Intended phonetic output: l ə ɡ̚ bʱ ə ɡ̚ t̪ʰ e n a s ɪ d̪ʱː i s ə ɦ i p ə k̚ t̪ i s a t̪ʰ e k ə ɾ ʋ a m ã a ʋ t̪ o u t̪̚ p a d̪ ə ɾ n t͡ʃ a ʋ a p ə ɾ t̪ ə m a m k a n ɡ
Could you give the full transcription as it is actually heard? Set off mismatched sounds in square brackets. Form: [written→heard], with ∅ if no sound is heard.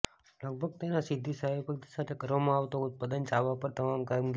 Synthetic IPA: l ə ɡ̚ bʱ ə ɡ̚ [t̪ʰ→t̪] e n a s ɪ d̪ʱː i s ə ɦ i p ə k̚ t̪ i s a t̪ʰ e k ə ɾ ʋ a m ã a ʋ t̪ o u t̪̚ p a d̪ ə [ɾ→∅] n t͡ʃ a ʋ a p ə ɾ t̪ ə m a m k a [n→m] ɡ